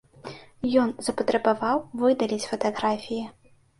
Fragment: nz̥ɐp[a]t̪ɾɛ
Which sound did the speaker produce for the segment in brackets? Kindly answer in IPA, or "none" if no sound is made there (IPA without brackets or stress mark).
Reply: ɐ